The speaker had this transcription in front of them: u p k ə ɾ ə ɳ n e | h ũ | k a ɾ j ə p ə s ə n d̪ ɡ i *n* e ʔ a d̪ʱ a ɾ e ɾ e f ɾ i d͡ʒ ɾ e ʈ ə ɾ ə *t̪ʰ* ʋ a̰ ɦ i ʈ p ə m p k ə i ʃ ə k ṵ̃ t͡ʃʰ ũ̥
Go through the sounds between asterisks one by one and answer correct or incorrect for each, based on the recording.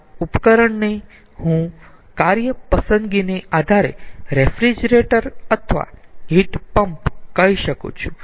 correct, correct

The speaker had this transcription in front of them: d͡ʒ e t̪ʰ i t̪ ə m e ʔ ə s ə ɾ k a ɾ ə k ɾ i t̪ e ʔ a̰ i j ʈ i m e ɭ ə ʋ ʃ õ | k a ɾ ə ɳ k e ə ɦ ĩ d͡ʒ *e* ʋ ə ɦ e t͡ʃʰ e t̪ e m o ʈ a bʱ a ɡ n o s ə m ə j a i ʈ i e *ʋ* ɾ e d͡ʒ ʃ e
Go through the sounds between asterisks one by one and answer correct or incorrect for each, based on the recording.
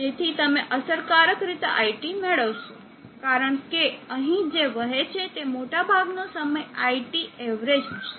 correct, correct

